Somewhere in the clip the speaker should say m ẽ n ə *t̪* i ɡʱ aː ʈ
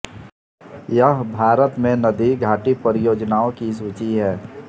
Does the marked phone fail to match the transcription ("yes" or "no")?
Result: yes